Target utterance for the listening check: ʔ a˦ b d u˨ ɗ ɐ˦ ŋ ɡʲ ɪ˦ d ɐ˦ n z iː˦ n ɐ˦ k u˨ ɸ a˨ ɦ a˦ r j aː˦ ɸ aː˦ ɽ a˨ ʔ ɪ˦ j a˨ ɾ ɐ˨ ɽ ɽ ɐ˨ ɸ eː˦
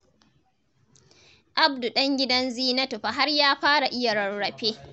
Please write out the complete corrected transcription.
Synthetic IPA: ʔ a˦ b d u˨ ɗ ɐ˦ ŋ ɡʲ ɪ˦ d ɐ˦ n z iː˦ n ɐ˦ t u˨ ɸ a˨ ɦ a˦ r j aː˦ ɸ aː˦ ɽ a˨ ʔ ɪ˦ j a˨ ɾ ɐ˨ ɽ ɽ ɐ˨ ɸ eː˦

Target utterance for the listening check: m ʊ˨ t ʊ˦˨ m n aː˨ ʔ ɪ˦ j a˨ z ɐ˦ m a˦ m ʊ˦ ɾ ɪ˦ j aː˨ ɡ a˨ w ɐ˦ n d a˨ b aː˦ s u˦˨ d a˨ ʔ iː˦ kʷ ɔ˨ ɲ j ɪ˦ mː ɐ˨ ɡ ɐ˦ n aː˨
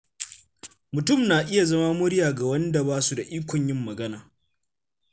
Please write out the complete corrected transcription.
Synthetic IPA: m ʊ˨ t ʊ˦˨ m n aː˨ ʔ ɪ˦ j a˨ z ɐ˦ m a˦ m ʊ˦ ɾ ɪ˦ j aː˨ ɡ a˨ w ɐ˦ n d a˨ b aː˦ s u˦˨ d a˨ ʔ iː˦ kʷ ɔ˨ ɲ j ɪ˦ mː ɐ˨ ɡ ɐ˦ n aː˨

